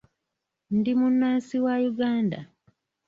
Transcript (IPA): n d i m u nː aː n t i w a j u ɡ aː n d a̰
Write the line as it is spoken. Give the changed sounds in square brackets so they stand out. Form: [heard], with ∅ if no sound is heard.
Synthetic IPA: n d i m u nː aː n [s] i w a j u ɡ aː n d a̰